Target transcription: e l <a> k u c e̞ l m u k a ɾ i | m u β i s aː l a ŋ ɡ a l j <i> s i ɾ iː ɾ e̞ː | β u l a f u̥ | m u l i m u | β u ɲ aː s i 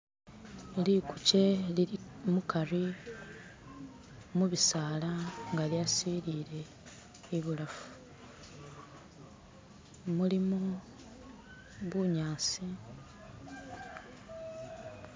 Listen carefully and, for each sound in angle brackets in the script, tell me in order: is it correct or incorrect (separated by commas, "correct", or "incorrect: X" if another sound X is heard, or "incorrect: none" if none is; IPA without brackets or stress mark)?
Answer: incorrect: i, incorrect: a